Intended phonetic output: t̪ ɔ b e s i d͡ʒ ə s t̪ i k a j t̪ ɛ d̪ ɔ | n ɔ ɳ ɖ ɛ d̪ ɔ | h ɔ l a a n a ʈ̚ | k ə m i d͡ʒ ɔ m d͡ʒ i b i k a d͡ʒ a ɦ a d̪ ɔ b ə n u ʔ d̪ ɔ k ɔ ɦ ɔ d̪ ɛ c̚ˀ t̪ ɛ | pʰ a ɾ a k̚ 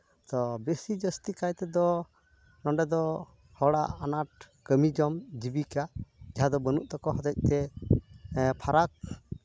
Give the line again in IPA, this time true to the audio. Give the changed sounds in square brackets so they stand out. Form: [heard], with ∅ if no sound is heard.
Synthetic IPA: t̪ ɔ b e s i d͡ʒ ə s t̪ i k a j t̪ ɛ d̪ ɔ | n ɔ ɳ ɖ ɛ d̪ ɔ | h ɔ [ɽ] a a n a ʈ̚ | k ə m i d͡ʒ ɔ m d͡ʒ i b i k a d͡ʒ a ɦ a d̪ ɔ b ə n u ʔ [t̪] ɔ k ɔ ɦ ɔ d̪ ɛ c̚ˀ t̪ ɛ | pʰ a ɾ a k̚